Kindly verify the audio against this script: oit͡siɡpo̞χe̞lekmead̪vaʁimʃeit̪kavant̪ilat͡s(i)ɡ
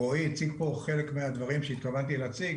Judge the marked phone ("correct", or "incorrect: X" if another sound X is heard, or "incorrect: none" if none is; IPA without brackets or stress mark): correct